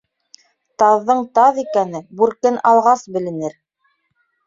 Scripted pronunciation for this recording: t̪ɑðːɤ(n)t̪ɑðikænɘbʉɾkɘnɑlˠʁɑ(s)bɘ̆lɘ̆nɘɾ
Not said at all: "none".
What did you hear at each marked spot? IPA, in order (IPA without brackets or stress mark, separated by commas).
ɴ, s